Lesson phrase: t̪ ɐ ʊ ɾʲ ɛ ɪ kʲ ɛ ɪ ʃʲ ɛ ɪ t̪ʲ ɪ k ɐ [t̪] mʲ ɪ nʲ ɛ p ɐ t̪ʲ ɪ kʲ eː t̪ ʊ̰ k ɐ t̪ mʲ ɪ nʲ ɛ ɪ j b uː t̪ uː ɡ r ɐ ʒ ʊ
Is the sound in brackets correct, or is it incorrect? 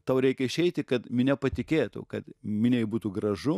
correct